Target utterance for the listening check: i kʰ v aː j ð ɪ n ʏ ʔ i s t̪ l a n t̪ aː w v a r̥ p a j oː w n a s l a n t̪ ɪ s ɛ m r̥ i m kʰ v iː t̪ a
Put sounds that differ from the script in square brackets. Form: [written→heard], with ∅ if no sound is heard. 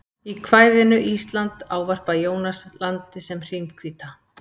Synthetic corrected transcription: i kʰ v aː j ð ɪ n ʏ ʔ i s t̪ l a n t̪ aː w v a r̥ p a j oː w n a s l a n t̪ ɪ s ɛ m r̥ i m kʰ v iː t̪ a